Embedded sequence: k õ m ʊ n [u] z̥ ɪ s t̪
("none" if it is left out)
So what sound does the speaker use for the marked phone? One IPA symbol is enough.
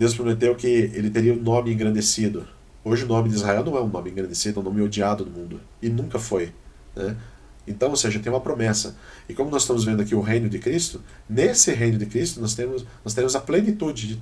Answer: ɔ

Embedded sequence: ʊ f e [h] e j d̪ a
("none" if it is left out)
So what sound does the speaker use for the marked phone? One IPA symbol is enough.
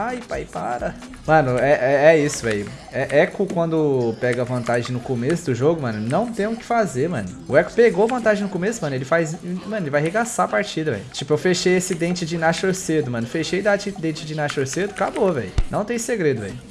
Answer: ʃ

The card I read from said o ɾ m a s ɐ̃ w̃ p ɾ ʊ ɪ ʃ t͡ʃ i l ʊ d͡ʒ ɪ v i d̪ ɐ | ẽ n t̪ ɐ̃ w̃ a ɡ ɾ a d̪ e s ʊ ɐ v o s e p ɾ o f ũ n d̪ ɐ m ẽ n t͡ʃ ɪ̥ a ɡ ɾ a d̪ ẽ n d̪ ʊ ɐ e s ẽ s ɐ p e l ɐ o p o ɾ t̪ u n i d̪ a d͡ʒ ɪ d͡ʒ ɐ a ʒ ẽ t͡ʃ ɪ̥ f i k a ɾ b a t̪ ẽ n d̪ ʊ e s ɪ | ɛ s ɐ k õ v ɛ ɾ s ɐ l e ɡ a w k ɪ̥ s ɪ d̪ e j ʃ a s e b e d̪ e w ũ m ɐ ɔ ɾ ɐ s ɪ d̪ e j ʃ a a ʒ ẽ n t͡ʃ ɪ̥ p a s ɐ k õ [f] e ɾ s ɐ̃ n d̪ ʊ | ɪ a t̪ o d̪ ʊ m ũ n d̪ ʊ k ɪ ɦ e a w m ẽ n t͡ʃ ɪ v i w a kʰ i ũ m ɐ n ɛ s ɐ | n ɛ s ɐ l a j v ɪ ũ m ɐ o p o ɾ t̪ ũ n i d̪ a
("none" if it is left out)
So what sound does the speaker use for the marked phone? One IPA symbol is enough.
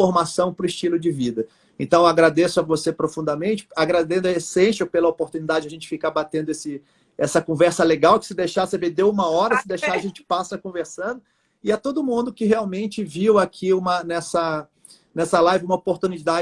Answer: v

